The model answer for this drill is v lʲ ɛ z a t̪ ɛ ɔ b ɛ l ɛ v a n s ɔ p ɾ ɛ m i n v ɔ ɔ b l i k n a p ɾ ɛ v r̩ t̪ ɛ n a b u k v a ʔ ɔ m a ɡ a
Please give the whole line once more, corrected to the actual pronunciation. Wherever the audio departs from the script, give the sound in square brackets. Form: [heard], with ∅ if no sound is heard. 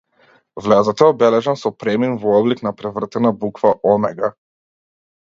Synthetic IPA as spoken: v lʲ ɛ z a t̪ ɛ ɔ b ɛ l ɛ [ʒ] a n s ɔ p ɾ ɛ m i n v ɔ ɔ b l i k n a p ɾ ɛ v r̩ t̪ ɛ n a b u k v a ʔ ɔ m [ɛ] ɡ a